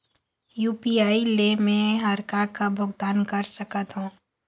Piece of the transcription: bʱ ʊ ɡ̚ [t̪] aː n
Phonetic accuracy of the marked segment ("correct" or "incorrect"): incorrect